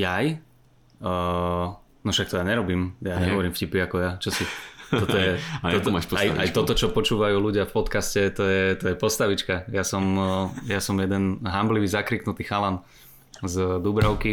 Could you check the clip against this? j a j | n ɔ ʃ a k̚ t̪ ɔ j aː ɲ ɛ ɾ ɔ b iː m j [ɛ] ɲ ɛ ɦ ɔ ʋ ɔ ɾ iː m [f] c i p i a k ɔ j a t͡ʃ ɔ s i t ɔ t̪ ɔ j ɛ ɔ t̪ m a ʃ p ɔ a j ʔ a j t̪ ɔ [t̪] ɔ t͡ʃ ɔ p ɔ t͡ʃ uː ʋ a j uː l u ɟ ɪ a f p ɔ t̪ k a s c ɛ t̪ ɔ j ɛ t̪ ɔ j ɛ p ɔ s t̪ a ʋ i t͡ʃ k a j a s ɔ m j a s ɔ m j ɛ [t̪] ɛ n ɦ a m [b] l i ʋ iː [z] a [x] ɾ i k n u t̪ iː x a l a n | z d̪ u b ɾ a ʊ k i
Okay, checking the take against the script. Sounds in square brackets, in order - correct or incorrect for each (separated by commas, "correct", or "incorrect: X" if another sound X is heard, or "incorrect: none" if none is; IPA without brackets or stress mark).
incorrect: a, correct, correct, incorrect: d̪, correct, correct, incorrect: k